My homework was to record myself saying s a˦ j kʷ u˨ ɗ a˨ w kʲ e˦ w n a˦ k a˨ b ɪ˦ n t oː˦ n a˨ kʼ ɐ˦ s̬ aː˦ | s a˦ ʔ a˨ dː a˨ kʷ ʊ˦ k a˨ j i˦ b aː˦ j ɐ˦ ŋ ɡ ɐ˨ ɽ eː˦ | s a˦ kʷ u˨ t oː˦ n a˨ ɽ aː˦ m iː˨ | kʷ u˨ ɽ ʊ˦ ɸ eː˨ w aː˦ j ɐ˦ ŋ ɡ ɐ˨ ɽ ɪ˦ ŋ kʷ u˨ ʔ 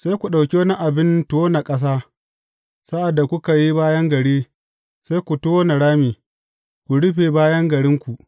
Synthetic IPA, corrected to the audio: s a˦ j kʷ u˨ ɗ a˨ w kʲ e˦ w n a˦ ʔ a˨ b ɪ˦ n t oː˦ n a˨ kʼ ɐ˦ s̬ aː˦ | s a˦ ʔ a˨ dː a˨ kʷ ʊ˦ k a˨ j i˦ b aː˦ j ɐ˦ ŋ ɡ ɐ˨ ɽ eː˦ | s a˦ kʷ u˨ t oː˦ n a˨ ɽ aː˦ m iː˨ | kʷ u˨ ɽ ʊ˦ ɸ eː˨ b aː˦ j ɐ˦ ŋ ɡ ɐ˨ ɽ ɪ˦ ŋ kʷ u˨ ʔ